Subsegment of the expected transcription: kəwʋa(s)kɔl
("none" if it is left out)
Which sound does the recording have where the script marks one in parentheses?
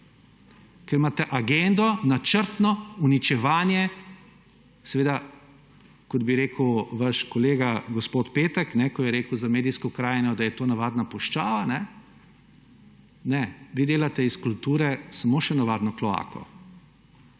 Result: ʃ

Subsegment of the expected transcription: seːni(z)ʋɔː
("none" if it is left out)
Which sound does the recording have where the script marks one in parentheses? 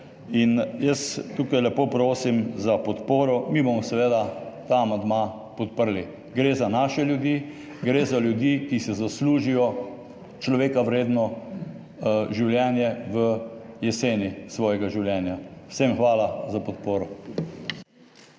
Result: s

